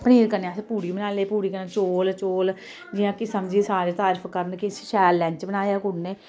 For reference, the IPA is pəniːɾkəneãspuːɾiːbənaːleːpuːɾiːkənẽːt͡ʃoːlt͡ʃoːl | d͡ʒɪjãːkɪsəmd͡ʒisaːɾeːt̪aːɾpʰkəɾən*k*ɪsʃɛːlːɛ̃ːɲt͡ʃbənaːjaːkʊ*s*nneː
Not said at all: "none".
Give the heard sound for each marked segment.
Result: k, none

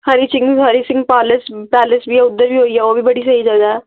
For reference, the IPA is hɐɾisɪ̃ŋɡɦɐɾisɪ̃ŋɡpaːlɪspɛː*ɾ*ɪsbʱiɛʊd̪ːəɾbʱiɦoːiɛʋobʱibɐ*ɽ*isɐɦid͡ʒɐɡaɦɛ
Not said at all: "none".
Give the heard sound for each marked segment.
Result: l, ɽ

